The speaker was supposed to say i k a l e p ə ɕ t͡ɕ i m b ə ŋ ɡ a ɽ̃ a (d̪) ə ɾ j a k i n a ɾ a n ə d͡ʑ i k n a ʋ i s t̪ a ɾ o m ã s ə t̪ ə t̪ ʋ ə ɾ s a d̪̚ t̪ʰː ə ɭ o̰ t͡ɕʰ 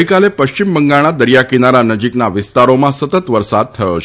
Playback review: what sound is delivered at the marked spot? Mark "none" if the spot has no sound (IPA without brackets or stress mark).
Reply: d̪